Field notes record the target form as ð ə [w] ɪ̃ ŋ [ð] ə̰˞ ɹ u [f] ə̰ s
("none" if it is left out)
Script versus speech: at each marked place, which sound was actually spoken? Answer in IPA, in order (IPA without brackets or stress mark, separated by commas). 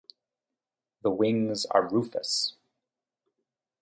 w, z, f